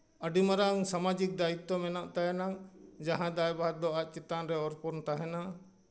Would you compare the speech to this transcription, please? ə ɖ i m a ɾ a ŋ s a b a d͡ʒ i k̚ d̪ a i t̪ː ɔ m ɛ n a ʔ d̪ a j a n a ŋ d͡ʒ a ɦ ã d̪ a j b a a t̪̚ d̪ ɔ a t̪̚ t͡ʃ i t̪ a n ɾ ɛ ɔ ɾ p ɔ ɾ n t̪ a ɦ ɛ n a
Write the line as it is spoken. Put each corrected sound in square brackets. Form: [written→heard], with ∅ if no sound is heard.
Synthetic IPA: ə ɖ i m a ɾ a ŋ s a [b→m] a d͡ʒ i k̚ d̪ a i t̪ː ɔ m ɛ n a ʔ [d̪→t̪] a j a n a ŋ d͡ʒ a ɦ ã d̪ a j b a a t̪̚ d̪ ɔ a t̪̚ t͡ʃ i t̪ a n ɾ ɛ ɔ ɾ p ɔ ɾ n t̪ a ɦ ɛ n a